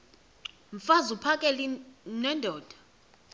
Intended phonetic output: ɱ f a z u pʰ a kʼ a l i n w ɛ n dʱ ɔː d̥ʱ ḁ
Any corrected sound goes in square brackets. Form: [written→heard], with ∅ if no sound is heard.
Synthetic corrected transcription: ɱ f a z u pʰ a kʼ [a→ɛ] l i n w ɛ n dʱ ɔː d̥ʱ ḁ